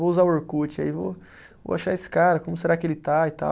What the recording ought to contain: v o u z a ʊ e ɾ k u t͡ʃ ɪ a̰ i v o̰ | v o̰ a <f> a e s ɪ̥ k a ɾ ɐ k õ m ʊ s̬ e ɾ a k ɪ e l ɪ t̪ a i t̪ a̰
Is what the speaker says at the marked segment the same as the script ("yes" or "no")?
no